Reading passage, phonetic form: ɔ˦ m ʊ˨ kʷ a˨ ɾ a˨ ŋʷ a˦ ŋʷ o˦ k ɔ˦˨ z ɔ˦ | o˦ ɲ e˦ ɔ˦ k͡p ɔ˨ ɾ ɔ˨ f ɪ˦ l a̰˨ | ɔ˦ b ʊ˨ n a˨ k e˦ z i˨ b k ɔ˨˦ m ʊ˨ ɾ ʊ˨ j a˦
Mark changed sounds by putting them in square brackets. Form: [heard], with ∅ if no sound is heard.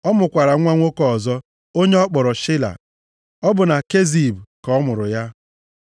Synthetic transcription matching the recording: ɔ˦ m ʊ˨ kʷ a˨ ɾ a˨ ŋʷ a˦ ŋʷ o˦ k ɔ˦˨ z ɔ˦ | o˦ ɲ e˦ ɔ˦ k͡p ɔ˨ ɾ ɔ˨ [ʃ] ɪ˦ l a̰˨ | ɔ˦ b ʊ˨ n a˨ k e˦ z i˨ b k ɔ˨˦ m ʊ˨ ɾ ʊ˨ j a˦

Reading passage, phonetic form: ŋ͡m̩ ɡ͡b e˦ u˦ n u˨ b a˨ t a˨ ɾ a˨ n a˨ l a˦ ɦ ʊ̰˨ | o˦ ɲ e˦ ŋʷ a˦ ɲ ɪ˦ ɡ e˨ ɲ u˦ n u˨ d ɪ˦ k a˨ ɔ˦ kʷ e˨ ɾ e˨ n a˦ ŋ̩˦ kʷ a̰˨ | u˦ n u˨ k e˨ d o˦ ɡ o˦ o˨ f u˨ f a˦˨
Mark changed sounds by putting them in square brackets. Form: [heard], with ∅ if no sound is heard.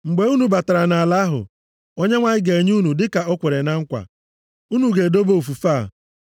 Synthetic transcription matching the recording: ŋ͡m̩ ɡ͡b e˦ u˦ n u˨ b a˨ t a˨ ɾ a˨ n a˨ l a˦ ɦ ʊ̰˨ | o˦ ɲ e˦ ŋʷ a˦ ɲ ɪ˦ ɡ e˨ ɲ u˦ n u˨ d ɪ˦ k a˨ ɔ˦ kʷ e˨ ɾ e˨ n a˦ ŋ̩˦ kʷ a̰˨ | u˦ n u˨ [ɡ] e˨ d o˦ [b] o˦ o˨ f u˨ f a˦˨

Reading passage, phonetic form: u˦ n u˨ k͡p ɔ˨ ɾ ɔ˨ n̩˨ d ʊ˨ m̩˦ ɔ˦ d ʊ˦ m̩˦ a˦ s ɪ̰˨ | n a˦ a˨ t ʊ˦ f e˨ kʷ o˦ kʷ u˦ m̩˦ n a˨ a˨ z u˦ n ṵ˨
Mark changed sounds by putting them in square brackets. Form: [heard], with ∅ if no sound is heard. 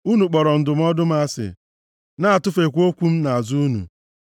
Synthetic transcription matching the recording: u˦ n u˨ k͡p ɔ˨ ɾ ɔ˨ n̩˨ d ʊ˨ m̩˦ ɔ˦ d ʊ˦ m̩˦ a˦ s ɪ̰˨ | n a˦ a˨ t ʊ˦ f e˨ kʷ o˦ kʷ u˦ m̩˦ n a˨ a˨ z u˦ n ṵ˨

